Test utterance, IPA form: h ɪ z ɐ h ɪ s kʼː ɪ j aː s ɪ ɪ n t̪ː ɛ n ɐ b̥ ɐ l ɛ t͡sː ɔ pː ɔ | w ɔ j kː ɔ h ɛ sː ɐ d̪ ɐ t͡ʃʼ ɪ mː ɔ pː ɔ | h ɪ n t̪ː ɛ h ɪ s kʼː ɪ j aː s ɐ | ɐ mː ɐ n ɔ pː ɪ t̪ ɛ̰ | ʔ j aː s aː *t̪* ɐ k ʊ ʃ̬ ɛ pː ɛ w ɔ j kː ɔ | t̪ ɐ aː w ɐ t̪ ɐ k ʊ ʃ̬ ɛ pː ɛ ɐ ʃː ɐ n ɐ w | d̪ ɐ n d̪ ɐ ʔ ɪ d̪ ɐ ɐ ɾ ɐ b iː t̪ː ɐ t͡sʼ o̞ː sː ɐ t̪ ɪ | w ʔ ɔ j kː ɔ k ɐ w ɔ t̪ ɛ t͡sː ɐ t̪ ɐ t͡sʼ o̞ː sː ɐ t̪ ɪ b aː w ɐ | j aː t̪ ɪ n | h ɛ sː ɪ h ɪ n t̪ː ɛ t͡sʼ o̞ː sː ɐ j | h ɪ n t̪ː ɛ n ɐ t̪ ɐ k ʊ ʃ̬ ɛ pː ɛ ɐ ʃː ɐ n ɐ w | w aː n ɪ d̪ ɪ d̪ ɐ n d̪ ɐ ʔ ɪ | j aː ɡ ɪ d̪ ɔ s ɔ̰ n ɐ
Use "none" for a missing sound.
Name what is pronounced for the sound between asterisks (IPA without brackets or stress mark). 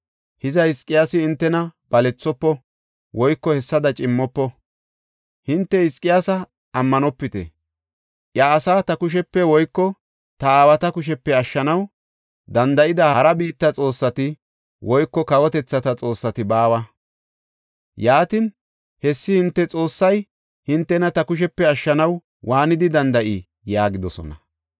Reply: t̪